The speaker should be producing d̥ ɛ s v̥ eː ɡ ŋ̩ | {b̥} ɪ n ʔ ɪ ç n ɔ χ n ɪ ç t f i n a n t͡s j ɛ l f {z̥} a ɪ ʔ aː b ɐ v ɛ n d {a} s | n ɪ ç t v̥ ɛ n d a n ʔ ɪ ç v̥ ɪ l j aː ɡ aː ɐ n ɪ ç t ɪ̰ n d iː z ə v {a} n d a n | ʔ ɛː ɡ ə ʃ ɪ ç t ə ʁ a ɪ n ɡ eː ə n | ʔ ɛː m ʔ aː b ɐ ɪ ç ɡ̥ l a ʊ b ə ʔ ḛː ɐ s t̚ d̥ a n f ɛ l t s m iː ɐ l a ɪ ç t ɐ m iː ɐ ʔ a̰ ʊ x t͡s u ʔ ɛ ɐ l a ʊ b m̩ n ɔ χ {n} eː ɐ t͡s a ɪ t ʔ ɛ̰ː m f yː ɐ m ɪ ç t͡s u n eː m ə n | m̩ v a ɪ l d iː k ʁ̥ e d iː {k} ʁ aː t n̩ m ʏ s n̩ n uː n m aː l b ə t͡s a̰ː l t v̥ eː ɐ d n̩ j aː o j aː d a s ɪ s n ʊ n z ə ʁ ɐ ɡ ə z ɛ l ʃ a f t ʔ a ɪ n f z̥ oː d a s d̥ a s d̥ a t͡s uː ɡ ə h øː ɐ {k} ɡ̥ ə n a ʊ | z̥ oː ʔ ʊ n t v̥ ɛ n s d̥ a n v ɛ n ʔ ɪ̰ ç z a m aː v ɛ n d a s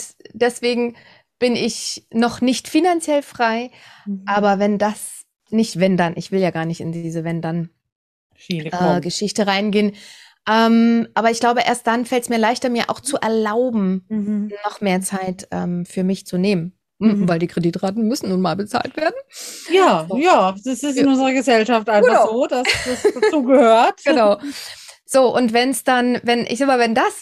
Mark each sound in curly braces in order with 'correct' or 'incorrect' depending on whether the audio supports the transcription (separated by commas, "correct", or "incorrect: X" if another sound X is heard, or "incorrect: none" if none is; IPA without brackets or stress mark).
correct, incorrect: ʁ̥, correct, incorrect: ɛ, incorrect: m, incorrect: t, incorrect: t